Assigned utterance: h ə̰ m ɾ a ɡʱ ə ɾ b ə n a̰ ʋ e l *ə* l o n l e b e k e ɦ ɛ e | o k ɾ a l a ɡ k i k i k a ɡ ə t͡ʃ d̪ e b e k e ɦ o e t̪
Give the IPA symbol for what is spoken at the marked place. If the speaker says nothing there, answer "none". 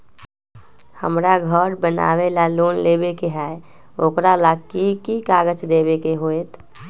a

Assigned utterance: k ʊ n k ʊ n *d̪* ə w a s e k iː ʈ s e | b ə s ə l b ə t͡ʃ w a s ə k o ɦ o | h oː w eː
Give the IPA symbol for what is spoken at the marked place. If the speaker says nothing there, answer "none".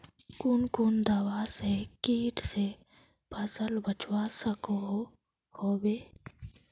d̪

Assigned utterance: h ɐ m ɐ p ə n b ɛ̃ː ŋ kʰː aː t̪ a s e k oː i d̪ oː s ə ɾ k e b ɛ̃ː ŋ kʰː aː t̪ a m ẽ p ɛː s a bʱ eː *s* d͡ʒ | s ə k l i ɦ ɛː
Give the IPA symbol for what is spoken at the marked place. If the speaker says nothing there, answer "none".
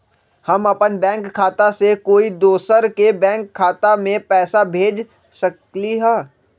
none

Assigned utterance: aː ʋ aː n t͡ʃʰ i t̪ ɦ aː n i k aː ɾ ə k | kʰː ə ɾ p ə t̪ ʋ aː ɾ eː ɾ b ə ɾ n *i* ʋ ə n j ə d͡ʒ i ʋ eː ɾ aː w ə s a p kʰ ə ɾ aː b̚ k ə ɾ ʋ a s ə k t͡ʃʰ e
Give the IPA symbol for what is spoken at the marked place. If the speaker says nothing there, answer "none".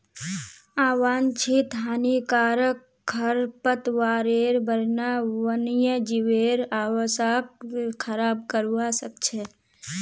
a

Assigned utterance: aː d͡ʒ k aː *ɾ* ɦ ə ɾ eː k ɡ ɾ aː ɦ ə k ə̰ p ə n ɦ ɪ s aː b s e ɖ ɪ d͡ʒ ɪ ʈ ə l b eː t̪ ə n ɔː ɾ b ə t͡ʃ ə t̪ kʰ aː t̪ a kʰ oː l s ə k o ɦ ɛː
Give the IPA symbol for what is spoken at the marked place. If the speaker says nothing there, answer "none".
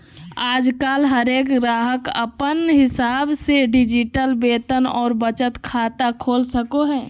l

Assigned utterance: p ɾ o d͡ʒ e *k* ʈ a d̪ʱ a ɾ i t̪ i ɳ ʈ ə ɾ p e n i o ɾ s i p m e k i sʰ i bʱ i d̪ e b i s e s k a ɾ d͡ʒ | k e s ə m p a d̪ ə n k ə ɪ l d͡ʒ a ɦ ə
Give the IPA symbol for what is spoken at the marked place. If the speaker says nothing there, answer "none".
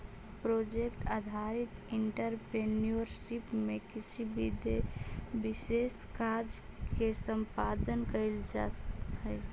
k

